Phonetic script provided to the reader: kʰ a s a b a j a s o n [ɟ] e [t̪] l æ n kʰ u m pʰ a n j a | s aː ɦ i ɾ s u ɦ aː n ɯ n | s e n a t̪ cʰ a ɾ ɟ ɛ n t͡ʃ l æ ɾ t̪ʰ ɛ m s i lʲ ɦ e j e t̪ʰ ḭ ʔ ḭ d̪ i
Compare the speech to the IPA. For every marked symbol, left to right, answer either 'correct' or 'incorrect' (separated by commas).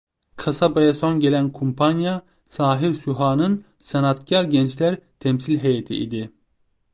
correct, incorrect